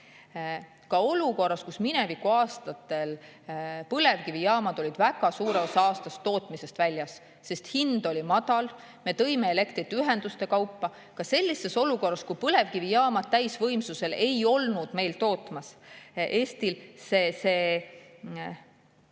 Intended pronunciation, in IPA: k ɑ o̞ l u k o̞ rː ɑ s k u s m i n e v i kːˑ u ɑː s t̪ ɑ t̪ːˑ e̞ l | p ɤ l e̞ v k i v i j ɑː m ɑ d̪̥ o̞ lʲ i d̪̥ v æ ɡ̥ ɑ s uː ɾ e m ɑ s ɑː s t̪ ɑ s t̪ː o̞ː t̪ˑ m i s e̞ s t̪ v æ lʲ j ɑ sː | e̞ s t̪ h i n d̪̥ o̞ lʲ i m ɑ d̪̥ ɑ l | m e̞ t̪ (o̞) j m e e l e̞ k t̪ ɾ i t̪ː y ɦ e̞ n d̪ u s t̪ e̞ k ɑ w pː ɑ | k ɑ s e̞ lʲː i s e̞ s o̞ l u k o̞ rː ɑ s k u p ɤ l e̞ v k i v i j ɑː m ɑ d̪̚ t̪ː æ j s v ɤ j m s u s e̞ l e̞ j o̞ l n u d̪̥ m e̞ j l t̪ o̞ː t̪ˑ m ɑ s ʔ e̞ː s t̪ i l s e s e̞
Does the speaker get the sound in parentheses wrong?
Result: yes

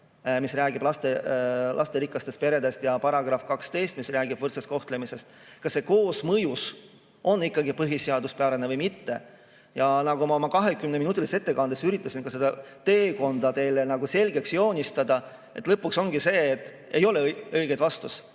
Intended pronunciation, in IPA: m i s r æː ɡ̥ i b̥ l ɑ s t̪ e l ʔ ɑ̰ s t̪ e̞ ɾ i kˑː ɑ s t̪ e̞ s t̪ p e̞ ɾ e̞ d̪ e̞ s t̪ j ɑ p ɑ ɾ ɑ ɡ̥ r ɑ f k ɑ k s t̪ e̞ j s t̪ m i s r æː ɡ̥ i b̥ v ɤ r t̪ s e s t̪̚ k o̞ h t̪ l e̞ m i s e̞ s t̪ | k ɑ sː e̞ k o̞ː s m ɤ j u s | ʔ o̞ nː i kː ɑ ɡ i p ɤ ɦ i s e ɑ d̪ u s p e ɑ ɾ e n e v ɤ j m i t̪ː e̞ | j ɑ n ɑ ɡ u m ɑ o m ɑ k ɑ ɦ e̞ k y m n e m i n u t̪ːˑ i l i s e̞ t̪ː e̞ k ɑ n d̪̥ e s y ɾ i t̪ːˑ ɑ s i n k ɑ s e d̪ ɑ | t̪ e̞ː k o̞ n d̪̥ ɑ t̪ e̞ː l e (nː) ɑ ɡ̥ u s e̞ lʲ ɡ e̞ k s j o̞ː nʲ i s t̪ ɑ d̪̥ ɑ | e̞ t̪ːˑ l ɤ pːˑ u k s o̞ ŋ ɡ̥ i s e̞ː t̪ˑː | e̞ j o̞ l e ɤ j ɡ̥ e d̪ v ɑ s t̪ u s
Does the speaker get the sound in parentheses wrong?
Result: yes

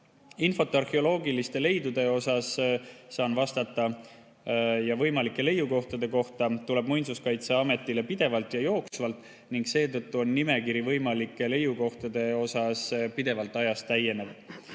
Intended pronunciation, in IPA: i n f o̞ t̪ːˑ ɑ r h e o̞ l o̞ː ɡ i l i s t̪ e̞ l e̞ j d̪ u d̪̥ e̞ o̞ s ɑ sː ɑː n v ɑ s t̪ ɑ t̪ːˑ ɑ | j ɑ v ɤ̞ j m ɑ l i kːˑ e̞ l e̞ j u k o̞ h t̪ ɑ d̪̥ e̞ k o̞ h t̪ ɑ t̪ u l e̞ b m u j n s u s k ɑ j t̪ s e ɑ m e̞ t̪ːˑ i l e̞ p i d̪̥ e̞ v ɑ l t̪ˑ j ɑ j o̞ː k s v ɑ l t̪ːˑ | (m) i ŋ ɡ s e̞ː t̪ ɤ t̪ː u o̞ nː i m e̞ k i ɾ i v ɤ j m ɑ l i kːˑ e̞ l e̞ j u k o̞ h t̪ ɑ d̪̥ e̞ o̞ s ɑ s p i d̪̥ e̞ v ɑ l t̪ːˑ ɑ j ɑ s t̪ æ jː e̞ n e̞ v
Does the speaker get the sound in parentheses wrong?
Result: yes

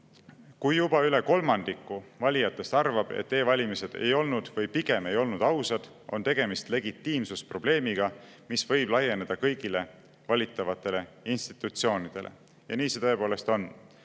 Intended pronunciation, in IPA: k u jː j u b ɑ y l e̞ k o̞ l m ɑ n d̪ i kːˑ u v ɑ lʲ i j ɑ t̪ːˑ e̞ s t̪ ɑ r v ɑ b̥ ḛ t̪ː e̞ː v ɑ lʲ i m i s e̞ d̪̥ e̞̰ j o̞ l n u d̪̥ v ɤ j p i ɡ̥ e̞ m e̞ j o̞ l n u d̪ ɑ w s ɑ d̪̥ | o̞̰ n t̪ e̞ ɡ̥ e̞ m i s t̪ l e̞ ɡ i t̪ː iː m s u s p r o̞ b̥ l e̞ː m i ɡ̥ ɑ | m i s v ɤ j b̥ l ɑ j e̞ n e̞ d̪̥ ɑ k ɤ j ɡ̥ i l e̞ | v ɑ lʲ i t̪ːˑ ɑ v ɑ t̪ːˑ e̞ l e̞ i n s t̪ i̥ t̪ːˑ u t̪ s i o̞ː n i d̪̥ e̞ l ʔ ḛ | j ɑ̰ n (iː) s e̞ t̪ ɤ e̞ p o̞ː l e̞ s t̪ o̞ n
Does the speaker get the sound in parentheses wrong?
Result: no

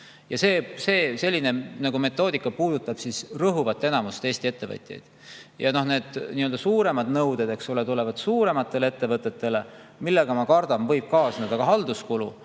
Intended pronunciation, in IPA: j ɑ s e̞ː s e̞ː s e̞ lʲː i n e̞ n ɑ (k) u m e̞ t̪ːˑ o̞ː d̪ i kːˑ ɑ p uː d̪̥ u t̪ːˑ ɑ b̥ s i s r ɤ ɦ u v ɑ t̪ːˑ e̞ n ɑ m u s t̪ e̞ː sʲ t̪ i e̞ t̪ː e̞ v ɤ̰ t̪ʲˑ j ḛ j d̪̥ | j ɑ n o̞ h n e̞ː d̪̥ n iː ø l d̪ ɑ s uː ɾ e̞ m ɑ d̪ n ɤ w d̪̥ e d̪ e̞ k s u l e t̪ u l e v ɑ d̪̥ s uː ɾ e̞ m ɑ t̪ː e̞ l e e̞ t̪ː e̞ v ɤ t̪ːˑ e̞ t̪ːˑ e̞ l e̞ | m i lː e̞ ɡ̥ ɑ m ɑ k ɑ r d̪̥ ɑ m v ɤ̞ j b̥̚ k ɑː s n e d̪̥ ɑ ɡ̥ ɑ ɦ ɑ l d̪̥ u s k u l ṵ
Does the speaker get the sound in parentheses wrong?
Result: yes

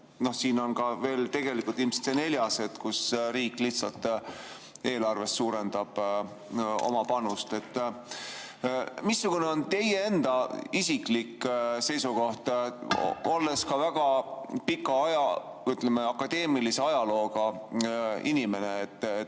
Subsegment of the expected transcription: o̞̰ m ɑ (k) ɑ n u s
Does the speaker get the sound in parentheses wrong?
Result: yes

